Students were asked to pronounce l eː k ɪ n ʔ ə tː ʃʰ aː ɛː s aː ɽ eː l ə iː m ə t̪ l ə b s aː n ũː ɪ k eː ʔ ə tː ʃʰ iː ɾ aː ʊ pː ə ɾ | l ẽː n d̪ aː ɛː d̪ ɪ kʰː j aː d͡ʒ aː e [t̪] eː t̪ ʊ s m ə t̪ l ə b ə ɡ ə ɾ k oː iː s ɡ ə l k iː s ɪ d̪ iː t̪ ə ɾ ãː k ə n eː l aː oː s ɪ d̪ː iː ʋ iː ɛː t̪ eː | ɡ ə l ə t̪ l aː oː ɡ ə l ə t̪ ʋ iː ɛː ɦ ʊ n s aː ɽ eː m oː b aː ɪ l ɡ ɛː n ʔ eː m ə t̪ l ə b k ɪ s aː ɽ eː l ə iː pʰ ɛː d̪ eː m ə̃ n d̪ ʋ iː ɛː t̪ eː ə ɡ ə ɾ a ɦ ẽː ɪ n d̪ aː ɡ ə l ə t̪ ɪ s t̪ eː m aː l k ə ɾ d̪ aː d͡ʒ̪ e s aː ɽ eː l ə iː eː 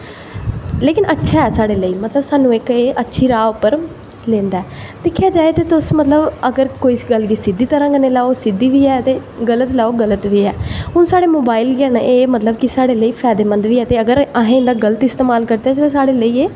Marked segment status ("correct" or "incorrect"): correct